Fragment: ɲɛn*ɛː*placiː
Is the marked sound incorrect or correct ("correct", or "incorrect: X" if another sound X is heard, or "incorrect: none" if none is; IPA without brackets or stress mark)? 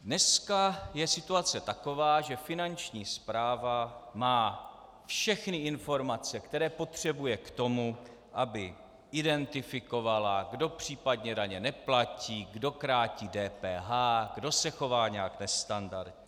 incorrect: ɛ